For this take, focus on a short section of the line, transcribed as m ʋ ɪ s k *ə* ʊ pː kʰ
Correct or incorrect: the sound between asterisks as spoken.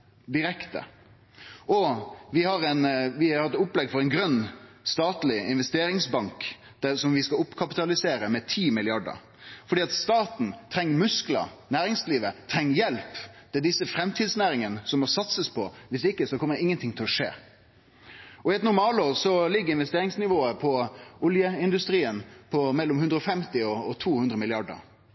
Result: incorrect: ɑ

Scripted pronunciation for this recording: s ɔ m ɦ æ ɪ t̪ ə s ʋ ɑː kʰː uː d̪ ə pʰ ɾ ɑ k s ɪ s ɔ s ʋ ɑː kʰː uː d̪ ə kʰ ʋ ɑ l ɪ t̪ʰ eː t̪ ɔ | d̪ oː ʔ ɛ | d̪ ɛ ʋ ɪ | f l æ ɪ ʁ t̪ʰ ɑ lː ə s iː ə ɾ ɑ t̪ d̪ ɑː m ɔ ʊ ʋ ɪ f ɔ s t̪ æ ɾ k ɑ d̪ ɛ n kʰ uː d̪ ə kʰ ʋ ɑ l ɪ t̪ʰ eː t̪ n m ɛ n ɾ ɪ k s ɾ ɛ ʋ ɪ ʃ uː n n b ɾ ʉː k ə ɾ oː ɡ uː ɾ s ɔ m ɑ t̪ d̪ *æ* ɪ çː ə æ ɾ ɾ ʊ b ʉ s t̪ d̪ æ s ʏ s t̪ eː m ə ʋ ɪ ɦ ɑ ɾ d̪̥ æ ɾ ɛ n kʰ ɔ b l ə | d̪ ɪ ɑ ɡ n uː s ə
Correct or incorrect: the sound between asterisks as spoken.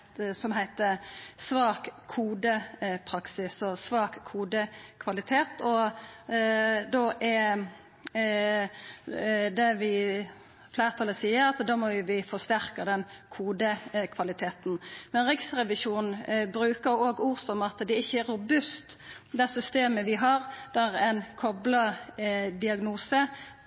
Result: incorrect: ɛ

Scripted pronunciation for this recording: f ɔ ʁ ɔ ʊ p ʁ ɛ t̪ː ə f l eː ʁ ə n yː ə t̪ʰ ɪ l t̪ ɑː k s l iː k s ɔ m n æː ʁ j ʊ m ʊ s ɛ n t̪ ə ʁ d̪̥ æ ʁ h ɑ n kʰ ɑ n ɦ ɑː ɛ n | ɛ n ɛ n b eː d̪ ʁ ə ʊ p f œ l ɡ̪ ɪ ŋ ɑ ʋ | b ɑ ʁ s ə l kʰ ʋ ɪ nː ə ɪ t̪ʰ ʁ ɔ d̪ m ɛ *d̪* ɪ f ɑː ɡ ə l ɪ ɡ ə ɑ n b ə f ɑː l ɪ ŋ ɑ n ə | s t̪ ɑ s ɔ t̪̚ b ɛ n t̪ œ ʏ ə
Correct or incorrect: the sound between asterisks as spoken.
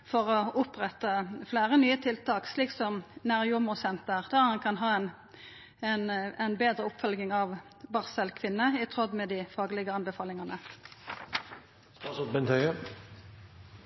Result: correct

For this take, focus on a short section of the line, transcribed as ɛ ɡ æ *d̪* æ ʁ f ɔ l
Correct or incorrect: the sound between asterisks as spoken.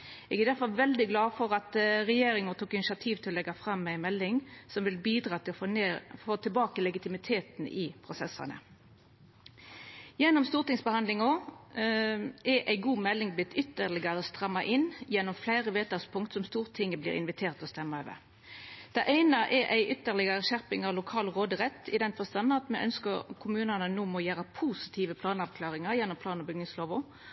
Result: correct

